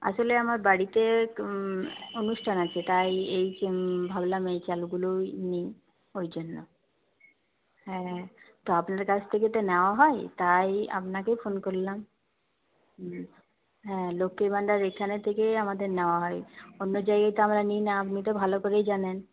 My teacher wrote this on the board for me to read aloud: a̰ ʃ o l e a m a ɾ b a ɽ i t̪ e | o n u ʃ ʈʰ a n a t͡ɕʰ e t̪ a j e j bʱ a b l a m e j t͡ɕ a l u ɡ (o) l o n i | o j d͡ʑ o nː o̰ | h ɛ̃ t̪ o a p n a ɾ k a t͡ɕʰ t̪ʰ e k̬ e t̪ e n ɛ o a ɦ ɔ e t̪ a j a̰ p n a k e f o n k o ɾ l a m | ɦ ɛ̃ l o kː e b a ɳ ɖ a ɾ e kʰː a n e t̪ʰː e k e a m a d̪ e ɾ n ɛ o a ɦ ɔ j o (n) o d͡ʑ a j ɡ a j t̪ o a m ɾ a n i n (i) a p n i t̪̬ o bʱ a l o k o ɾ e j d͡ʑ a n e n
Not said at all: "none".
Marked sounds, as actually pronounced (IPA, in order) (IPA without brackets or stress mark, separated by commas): u, nː, a